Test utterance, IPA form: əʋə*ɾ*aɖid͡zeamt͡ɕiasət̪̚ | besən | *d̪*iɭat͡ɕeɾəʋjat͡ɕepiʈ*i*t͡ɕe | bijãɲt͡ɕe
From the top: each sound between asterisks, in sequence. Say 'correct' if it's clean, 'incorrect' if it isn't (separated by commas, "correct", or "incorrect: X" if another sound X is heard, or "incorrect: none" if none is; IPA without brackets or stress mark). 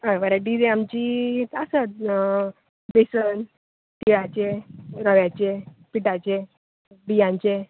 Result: correct, incorrect: t̪, incorrect: a